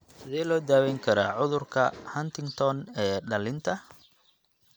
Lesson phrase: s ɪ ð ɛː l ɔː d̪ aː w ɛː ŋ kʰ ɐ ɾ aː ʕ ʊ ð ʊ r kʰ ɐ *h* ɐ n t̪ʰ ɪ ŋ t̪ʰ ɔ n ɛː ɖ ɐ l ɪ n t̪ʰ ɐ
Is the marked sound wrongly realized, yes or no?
no